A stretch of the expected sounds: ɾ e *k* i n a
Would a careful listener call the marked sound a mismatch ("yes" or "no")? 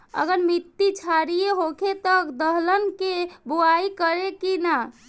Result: no